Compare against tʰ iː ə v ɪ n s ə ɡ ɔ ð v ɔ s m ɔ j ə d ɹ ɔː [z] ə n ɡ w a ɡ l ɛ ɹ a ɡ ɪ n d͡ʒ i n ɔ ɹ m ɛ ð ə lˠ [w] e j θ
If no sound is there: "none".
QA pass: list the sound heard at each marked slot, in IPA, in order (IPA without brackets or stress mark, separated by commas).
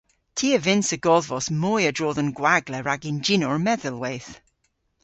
ð, w